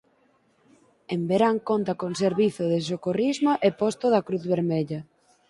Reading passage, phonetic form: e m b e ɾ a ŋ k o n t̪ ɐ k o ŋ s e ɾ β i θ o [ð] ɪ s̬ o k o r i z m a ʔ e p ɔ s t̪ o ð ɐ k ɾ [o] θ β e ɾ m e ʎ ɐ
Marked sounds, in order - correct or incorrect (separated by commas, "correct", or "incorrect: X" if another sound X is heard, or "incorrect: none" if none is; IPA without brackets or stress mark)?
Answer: correct, incorrect: u